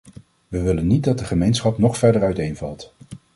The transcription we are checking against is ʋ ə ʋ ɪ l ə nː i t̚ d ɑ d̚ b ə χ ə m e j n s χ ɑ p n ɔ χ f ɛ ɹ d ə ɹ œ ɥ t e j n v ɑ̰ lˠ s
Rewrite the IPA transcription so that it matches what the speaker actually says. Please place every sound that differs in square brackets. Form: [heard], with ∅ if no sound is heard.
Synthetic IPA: ʋ ə ʋ ɪ l ə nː i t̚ d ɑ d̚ [d] ə χ ə m e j n s χ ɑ p n ɔ χ f ɛ ɹ d ə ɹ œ ɥ t e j n v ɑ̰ lˠ [t]